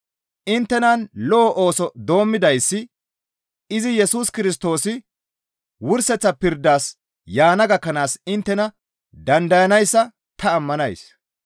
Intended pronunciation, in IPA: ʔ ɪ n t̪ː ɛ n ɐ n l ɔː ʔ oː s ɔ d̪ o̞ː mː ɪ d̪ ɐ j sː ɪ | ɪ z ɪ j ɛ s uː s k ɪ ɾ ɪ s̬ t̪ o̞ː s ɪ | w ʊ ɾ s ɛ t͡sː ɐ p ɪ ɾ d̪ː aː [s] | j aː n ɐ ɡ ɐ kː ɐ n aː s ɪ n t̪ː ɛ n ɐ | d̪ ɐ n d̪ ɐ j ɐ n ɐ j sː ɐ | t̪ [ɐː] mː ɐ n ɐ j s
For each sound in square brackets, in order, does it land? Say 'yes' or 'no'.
yes, yes

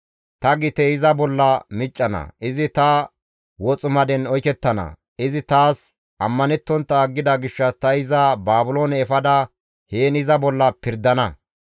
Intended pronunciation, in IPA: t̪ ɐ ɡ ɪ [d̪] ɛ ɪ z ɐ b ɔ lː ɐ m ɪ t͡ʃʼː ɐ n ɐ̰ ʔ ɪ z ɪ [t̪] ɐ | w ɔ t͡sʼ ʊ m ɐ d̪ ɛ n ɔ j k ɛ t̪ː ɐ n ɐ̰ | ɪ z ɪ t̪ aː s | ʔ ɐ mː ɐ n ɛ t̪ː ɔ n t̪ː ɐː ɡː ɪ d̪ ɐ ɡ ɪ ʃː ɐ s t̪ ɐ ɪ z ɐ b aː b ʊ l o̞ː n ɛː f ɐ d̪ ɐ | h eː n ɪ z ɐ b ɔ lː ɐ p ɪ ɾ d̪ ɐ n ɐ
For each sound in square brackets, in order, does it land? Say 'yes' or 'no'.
no, yes

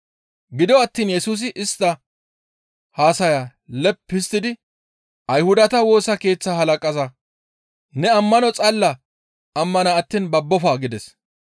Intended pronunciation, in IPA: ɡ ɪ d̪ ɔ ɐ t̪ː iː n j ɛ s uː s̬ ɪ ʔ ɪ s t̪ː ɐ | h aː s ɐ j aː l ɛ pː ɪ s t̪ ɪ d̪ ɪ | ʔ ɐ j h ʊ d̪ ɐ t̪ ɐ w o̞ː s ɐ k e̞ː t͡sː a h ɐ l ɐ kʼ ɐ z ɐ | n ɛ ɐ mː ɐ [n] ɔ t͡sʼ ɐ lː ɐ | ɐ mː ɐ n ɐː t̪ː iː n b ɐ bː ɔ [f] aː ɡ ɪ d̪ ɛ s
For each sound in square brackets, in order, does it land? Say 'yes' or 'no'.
yes, yes

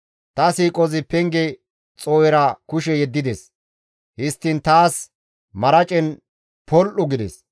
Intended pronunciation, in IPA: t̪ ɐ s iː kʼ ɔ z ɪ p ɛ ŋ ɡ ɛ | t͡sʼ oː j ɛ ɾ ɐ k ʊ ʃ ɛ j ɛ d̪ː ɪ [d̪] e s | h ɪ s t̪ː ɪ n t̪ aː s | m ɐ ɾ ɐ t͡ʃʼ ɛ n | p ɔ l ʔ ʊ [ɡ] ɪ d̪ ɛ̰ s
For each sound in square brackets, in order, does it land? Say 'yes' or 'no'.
yes, yes

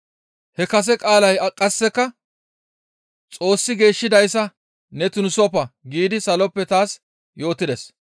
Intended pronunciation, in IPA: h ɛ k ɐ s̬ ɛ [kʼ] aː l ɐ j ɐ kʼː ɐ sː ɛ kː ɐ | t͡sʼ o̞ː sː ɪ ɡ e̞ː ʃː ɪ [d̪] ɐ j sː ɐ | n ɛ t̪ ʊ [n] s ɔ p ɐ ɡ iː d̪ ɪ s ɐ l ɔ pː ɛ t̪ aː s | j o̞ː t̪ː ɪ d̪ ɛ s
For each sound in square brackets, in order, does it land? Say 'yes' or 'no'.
yes, yes, yes

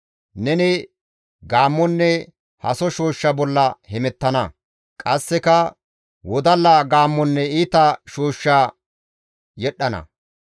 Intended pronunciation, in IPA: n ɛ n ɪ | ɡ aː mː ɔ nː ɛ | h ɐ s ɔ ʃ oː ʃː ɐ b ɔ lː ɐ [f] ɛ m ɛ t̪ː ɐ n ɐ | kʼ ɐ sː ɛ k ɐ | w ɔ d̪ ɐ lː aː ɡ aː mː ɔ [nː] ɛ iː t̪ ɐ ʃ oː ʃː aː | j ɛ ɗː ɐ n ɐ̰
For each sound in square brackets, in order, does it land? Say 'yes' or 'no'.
no, yes

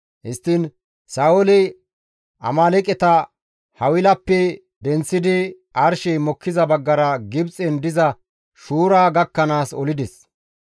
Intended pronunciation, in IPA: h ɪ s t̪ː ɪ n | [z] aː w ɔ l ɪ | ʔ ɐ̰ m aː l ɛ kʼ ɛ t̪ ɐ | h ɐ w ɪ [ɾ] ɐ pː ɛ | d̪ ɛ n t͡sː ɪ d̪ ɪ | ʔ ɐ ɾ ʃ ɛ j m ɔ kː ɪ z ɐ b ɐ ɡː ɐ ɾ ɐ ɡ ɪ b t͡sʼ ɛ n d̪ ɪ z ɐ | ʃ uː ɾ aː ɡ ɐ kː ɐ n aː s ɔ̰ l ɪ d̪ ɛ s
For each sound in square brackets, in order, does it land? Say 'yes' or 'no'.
no, no

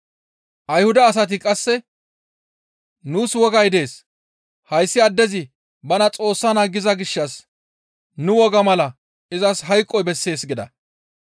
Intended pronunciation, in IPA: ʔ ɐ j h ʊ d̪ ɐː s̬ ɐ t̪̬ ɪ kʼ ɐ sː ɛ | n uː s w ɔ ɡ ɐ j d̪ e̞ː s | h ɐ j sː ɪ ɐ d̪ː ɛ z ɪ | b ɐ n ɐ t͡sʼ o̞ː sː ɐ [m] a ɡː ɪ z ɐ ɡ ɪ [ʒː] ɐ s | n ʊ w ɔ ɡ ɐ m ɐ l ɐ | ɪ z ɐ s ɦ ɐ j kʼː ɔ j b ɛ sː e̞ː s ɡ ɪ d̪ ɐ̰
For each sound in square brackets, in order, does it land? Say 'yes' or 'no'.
no, no

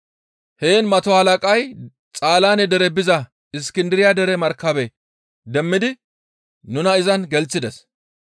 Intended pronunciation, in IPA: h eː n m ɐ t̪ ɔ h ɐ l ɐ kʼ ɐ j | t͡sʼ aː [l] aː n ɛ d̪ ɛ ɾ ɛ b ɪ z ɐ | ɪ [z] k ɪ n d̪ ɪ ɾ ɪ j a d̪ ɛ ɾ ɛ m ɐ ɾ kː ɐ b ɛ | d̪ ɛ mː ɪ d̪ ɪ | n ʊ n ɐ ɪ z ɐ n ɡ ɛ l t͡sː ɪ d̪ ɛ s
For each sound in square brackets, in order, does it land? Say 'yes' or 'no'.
yes, no

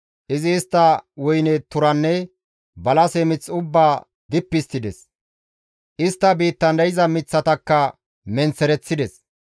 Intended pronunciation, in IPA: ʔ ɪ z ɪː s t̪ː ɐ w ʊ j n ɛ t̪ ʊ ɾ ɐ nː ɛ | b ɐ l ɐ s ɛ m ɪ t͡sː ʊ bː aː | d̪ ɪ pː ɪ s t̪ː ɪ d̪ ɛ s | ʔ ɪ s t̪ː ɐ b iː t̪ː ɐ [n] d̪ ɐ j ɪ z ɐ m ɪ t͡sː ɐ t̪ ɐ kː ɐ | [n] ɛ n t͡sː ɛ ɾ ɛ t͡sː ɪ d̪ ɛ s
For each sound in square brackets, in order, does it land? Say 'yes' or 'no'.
yes, no

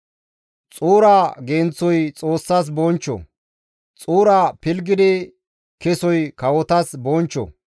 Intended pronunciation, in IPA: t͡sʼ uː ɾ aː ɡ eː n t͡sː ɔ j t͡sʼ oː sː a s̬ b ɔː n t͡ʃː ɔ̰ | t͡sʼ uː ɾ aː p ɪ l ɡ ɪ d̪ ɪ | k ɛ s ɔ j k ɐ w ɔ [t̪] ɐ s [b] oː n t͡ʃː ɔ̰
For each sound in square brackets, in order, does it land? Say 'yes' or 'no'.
yes, yes

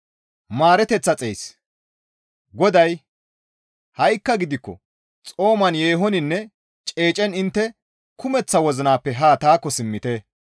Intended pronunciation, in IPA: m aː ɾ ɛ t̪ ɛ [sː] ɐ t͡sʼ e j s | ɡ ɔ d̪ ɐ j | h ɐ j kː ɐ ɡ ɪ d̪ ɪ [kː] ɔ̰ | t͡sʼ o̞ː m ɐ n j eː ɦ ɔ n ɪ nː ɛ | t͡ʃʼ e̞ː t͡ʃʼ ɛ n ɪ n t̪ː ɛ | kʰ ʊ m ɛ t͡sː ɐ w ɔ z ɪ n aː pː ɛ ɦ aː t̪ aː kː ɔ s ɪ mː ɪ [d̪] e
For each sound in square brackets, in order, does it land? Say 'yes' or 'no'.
no, yes, no

